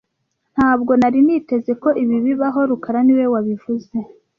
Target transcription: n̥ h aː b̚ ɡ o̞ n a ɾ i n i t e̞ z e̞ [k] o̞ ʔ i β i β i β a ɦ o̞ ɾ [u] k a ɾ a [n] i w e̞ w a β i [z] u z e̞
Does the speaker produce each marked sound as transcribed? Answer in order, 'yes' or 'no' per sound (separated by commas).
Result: yes, yes, yes, no